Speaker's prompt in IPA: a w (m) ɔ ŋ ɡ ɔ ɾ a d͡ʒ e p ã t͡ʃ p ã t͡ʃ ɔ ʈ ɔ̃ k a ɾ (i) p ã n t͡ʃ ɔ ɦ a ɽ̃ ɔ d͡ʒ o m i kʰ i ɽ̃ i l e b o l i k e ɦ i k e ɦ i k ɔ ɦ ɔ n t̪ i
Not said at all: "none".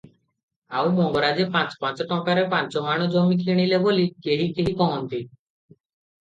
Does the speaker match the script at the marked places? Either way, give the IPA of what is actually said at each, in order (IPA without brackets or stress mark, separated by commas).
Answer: m, e